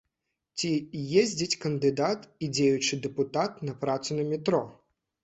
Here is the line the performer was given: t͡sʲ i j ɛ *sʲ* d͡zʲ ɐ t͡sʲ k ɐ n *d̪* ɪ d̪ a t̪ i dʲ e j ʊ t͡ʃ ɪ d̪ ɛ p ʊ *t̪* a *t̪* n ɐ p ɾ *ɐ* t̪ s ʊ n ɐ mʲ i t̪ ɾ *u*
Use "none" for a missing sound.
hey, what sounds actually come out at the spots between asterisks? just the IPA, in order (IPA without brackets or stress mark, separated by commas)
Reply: zʲ, d̪, t̪, t̪, a, ɔ